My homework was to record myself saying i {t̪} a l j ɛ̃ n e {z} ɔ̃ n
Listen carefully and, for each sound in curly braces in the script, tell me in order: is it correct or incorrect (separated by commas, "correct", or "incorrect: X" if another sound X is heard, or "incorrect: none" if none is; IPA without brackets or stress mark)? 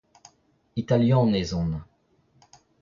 correct, correct